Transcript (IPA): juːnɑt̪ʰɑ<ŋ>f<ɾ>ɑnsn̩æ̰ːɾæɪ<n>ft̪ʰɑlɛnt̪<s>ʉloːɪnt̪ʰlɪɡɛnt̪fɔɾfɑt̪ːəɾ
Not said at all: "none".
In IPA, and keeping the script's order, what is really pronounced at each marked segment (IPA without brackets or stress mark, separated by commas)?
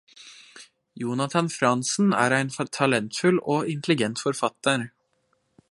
n, ɾ, n, f